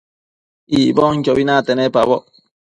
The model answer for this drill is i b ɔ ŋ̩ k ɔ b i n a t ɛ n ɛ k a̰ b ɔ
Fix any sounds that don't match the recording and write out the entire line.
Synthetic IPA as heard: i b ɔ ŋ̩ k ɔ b i n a t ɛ n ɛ p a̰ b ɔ